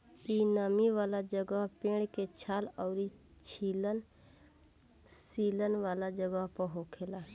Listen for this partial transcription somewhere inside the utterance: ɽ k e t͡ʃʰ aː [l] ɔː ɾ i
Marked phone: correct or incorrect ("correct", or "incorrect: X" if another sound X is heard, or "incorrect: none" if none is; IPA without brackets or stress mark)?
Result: correct